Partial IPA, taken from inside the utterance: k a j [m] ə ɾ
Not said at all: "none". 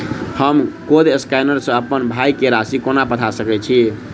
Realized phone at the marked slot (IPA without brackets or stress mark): n